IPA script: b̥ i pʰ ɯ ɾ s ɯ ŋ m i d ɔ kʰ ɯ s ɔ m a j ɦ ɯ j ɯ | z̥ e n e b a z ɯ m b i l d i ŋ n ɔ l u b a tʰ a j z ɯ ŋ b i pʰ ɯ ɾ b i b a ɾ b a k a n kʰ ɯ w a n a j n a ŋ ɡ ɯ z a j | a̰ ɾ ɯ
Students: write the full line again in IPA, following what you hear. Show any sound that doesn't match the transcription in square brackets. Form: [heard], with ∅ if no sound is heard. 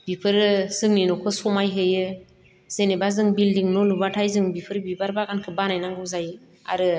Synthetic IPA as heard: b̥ i pʰ ɯ ɾ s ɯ ŋ [n] i [n] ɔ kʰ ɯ s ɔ m a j ɦ ɯ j ɯ | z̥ e n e b a z ɯ [ŋ] b i l d i ŋ n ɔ l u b a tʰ a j z ɯ ŋ b i pʰ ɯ ɾ b i b a ɾ b a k a n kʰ ɯ [b] a n a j n a ŋ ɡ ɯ z a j | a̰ ɾ ɯ